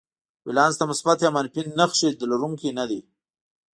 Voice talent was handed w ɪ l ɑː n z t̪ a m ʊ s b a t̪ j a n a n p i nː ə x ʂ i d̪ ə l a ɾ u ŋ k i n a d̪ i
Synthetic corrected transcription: w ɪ l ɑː n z t̪ a m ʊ s b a t̪ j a m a n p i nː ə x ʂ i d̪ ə l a ɾ u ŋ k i n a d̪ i